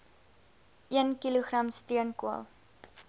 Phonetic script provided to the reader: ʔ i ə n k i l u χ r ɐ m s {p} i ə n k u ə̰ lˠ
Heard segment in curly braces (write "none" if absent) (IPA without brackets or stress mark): t